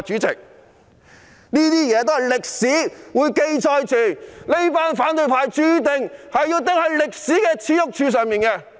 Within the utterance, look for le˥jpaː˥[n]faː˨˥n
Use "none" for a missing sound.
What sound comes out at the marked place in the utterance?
n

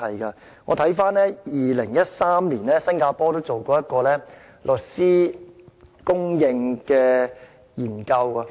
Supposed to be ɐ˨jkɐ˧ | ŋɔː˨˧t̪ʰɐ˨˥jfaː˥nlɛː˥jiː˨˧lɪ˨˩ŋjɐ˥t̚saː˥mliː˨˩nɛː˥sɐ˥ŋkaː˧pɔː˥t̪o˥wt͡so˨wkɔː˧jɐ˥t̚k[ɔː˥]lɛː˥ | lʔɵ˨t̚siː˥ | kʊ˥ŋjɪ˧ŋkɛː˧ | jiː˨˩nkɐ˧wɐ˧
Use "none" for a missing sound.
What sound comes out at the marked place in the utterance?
ɔː˧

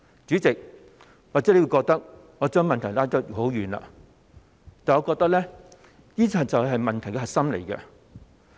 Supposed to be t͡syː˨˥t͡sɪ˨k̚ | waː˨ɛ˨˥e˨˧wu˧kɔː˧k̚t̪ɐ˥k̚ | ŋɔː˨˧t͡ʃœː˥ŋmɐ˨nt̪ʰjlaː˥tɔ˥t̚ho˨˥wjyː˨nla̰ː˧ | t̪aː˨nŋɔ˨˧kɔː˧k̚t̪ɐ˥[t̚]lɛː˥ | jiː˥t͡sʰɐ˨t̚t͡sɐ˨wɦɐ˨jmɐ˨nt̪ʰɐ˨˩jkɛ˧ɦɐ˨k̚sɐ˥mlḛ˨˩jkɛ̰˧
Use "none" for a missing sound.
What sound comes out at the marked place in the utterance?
k̚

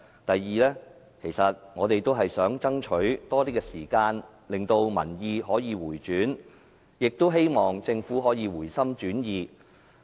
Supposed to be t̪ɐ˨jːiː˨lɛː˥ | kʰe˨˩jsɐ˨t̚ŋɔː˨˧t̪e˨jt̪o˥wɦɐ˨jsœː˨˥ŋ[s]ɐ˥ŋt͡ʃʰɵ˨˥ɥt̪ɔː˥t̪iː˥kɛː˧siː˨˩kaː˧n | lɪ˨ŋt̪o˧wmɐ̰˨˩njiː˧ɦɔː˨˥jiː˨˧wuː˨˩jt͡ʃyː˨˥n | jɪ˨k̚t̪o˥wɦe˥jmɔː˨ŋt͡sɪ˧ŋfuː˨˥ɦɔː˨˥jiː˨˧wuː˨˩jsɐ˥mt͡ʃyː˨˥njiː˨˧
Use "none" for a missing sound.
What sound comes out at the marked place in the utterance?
t͡s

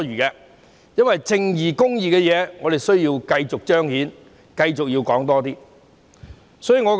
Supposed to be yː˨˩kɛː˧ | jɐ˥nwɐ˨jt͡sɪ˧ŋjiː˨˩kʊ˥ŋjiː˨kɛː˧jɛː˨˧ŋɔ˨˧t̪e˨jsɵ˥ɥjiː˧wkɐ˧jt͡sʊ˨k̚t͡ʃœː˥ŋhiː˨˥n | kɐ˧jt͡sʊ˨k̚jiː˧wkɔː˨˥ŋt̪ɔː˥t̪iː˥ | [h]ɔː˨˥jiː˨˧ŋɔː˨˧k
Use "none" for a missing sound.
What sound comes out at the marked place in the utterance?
s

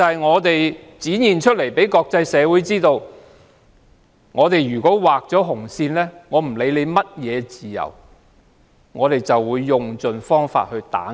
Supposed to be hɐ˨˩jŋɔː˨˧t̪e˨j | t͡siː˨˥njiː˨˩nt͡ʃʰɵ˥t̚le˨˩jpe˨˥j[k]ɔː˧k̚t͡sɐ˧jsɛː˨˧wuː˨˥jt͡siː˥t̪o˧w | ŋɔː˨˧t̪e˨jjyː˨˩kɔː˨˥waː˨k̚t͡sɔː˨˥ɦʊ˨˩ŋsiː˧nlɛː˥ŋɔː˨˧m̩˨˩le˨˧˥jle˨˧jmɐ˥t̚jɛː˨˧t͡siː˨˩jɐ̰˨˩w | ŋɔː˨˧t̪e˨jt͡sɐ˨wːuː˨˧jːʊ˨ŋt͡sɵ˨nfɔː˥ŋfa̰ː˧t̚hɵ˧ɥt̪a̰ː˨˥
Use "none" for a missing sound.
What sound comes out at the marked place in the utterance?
k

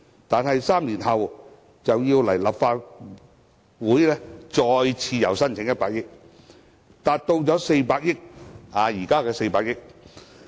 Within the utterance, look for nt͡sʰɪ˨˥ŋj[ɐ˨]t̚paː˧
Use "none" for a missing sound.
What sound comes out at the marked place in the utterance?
ɐ˥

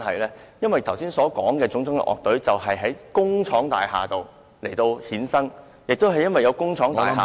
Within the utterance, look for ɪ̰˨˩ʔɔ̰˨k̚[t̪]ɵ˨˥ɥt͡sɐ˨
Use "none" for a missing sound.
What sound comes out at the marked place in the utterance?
t̪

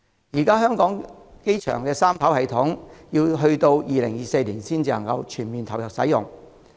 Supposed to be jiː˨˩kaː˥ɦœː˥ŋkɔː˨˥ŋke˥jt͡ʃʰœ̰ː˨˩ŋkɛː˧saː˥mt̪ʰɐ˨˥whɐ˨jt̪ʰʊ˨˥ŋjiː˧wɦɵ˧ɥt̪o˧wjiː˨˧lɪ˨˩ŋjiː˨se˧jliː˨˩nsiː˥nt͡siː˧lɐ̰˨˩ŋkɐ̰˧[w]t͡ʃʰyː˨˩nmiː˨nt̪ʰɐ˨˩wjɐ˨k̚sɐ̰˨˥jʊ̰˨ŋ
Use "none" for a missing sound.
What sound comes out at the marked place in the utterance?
w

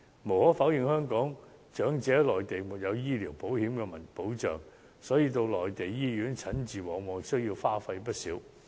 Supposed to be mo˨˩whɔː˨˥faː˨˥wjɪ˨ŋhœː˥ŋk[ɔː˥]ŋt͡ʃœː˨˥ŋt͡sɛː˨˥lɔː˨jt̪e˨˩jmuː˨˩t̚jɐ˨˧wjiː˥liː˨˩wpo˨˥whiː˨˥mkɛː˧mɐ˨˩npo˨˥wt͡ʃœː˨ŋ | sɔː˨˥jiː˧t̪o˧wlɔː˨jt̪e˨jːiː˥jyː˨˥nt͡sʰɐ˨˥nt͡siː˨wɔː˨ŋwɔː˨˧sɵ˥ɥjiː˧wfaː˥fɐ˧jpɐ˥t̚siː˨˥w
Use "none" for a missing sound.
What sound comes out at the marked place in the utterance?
ɔː˨˥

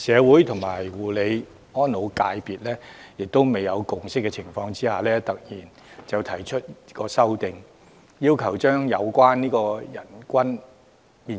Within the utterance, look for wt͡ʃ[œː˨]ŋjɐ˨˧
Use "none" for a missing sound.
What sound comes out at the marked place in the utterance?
œː˥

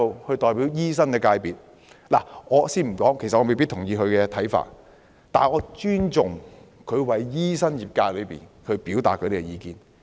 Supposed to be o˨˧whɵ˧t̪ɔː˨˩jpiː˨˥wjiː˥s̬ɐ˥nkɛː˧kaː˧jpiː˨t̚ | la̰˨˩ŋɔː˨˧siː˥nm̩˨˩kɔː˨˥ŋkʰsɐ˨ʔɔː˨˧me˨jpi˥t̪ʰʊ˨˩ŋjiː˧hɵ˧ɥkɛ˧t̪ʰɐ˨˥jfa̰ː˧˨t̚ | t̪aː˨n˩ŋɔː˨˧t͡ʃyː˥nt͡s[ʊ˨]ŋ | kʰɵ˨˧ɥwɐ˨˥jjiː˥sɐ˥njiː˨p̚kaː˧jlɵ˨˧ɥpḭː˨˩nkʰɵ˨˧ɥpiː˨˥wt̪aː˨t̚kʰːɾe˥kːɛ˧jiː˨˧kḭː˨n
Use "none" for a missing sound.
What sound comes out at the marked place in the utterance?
ʊ˨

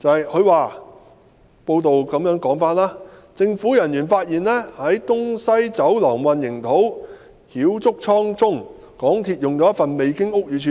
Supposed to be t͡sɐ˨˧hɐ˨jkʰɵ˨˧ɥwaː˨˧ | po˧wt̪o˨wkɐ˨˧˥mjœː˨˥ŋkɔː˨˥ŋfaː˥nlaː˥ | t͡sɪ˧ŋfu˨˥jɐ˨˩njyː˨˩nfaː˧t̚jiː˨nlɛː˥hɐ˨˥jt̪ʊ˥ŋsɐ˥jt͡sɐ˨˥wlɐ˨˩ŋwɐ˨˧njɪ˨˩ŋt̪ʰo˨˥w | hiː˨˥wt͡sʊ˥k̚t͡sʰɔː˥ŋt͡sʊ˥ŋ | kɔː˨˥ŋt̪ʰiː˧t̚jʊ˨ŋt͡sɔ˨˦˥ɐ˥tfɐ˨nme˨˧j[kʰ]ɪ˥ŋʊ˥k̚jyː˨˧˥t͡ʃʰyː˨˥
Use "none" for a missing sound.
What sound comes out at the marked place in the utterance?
k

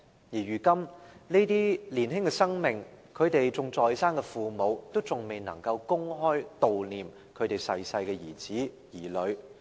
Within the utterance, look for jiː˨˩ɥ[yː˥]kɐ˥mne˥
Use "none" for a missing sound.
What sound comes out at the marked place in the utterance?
yː˨˩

